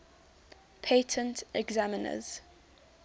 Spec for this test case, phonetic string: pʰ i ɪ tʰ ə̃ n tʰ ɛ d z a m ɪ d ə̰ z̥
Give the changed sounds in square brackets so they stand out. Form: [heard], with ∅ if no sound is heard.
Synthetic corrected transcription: pʰ [e] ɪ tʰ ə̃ n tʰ ɛ [ɡ] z a m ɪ [n] ə̰ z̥